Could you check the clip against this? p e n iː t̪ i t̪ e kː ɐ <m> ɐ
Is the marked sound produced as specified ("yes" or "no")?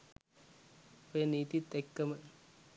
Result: yes